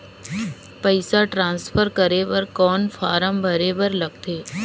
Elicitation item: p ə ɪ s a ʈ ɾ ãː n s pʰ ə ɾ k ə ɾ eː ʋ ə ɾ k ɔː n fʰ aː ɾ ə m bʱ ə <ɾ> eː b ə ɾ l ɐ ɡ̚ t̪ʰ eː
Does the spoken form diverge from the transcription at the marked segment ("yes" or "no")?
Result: no